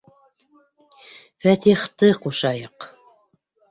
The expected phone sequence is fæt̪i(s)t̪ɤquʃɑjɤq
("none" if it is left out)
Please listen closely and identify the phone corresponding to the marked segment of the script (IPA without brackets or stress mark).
χ